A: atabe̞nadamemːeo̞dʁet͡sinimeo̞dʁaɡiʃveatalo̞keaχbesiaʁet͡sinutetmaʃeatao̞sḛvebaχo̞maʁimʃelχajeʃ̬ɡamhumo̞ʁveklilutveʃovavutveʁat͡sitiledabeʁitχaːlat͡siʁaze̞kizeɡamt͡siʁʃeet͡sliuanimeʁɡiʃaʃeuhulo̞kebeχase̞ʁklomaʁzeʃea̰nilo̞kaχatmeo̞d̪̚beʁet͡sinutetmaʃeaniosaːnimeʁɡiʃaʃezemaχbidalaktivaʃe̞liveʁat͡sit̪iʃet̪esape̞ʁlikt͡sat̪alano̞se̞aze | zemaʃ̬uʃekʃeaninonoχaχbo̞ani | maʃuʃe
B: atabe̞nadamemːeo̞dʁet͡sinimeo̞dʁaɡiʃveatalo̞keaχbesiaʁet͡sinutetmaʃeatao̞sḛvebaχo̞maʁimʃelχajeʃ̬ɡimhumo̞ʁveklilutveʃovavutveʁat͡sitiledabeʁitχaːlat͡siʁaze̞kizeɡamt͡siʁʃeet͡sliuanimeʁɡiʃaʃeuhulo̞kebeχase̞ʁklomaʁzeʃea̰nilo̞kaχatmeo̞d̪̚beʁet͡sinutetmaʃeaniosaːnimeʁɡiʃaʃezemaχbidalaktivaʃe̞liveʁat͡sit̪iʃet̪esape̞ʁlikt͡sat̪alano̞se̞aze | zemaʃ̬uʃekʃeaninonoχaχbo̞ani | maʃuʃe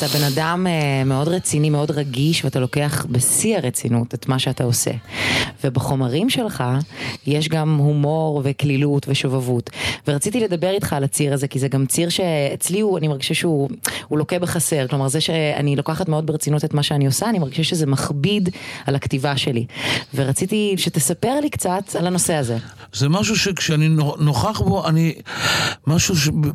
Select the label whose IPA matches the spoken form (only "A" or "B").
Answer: A